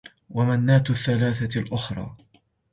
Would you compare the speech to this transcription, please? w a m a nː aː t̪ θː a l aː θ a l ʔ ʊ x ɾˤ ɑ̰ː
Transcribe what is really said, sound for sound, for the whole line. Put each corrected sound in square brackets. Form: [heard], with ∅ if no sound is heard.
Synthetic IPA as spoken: w a m a nː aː t̪ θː a l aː θ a l ʔ ʊ x ɾˤ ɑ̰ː